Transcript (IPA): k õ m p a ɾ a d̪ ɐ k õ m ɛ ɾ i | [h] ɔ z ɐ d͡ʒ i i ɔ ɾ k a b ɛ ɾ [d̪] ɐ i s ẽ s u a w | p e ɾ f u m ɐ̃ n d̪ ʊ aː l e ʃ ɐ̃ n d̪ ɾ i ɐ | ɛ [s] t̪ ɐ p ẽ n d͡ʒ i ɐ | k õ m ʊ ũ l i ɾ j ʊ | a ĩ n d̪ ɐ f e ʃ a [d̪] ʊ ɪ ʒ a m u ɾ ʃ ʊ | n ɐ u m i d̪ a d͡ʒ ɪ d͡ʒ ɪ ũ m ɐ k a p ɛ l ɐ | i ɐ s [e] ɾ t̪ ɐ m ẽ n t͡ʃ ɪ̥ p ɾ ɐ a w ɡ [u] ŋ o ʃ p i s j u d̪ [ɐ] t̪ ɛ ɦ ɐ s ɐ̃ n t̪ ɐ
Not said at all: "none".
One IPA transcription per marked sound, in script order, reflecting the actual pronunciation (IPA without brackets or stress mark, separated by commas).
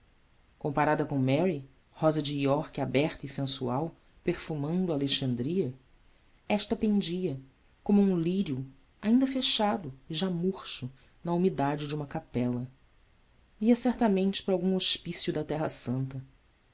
h, t̪, ʃ, d̪, ɛ, ũ, ɐ